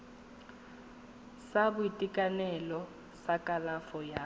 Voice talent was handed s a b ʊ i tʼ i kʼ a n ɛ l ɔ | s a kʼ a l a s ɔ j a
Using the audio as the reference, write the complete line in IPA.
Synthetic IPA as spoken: s a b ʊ i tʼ i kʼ a n ɛ l ɔ | s a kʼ a l a f ɔ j a